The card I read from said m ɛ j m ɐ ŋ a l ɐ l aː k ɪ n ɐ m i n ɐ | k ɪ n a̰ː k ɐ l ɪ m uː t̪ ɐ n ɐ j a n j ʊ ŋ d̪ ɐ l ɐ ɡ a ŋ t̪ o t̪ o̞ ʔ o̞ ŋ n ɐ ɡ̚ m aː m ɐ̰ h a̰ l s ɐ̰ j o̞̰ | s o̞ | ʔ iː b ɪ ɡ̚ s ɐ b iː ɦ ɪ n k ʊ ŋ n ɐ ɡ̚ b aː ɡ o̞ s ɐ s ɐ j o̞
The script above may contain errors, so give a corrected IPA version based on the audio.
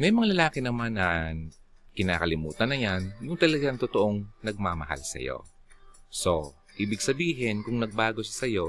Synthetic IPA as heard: m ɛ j m ɐ ŋ a l ɐ l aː k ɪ n ɐ m a n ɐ | k ɪ n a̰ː k ɐ l ɪ m uː t̪ ɐ n ɐ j a n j ʊ ŋ t̪ ɐ l ɐ ɡ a ŋ t̪ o t̪ o̞ ʔ o̞ ŋ n ɐ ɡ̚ m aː m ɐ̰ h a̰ l s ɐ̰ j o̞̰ | s o̞ | ʔ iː b ɪ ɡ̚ s ɐ b iː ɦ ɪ n k ʊ ŋ n ɐ ɡ̚ b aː ɡ o̞ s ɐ s ɐ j o̞